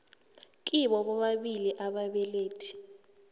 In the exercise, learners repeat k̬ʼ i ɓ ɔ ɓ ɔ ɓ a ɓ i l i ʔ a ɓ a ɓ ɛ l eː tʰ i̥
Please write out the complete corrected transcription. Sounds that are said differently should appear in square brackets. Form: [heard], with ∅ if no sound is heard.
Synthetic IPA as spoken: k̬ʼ i ɓ ɔ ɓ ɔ ɓ a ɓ i l i ʔ a ɓ a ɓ ɛ l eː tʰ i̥

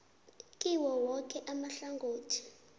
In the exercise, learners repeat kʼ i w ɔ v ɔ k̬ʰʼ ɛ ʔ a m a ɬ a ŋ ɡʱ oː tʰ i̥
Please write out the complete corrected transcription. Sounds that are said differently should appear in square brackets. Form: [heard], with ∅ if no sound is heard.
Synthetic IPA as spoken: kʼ i w ɔ [w] ɔ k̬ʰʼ ɛ ʔ a m a ɬ a ŋ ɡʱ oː tʰ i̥

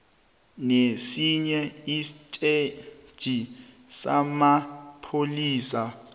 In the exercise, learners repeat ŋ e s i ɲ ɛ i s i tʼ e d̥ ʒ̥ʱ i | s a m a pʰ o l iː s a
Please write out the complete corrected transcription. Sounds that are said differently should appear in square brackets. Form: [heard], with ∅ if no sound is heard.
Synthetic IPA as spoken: [n] e s i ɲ ɛ i s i tʼ e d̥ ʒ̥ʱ i | s a m a pʰ o l iː s a

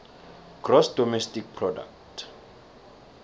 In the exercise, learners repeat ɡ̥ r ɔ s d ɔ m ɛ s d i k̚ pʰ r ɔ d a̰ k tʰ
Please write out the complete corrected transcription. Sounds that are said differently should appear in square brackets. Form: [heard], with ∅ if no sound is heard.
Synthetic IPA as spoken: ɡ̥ r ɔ s d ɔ m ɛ s [t] i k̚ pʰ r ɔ d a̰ k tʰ

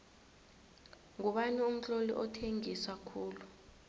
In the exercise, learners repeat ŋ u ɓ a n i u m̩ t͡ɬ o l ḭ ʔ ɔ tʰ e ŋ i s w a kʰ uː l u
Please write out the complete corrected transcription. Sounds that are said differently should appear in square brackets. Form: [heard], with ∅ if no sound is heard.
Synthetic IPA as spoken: ŋ u ɓ a n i u m̩ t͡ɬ o l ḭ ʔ ɔ tʰ e ŋ i s w a kʰ uː l u

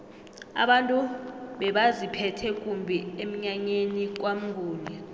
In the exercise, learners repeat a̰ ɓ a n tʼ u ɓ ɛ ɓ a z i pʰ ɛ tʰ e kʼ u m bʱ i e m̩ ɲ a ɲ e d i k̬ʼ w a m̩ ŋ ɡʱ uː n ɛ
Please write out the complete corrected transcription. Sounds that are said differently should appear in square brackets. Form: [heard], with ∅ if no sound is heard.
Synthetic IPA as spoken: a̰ ɓ a n tʼ u ɓ ɛ ɓ a z i pʰ ɛ tʰ [ɛ] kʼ u m bʱ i e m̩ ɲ a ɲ e [n] i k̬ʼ w a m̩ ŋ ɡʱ uː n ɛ

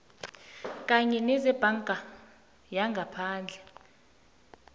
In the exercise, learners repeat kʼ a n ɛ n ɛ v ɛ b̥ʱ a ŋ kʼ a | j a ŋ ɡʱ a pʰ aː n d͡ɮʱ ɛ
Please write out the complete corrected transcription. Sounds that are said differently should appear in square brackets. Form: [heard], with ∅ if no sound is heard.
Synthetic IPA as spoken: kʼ a [ɲ] ɛ n ɛ [z] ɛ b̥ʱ a ŋ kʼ a | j a ŋ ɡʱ a pʰ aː n d͡ɮʱ ɛ

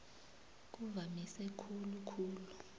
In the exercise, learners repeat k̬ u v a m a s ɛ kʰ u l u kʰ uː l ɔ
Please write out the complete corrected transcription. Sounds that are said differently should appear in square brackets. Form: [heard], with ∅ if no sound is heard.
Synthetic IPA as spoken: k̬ u v a m [i] s ɛ kʰ u l u kʰ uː l [u]

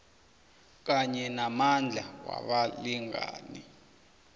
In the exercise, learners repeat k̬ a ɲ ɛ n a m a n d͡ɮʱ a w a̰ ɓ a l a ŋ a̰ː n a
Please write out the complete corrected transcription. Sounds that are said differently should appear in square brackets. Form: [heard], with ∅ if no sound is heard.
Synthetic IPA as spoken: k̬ a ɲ ɛ n a m a n d͡ɮʱ a w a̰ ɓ a l [i] ŋ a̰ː n [i]

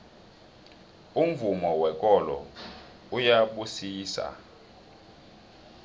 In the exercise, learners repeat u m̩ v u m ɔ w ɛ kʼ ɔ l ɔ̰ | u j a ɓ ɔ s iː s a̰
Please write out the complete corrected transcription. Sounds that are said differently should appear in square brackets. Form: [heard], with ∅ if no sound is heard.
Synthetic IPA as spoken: u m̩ v u m ɔ w ɛ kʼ ɔ l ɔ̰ | u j a ɓ [u] s iː s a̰

